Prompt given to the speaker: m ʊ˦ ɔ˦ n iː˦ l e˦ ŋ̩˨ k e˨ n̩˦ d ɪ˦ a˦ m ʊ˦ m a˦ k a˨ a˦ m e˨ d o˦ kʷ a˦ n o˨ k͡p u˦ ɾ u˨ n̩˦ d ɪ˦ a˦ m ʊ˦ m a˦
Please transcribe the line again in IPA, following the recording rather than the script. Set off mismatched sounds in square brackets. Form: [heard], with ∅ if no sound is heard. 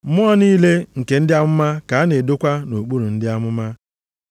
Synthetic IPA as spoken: m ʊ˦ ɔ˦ n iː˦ l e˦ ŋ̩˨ k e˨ n̩˦ d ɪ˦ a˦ m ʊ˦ m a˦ k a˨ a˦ [n] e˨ d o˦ kʷ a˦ n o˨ k͡p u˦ ɾ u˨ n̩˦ d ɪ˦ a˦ m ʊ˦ m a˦